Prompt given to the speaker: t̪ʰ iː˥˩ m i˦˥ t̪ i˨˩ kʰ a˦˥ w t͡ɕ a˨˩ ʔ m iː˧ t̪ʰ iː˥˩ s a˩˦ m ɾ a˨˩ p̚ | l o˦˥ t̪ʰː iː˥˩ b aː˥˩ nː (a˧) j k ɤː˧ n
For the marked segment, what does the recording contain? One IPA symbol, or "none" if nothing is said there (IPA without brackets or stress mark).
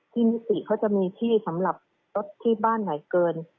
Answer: a˩˦